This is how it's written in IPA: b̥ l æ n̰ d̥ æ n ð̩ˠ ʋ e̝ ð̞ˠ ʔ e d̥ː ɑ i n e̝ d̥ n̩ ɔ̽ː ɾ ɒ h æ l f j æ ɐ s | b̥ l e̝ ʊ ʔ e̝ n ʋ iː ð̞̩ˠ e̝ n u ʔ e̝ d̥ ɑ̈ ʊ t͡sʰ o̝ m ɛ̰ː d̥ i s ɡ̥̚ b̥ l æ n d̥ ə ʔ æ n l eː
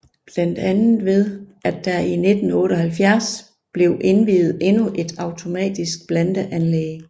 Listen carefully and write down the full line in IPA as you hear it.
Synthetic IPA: b̥ l æ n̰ d̥ æ n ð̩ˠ ʋ e̝ ð̞ˠ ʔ æ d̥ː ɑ i n e̝ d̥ n̩ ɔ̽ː ɾ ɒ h æ l f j æ ɐ s | b̥ l e̝ ʊ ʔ e̝ n ʋ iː ð̞̩ˠ e̝ n u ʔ e̝ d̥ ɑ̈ ʊ t͡sʰ o̝ m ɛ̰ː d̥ i s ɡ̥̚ b̥ l æ n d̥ ə ʔ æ n l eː